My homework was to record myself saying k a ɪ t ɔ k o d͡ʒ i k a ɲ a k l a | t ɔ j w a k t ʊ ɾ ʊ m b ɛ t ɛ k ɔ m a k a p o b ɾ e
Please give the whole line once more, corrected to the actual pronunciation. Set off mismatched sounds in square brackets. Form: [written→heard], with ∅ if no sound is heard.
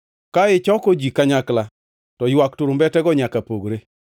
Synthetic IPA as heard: k a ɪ [t→t͡ʃ] ɔ k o d͡ʒ i k a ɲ a k l a | t ɔ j w a k t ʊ ɾ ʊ m b ɛ t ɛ [k→ɡ] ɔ [m→ɲ] a k a p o [b→ɡ] ɾ e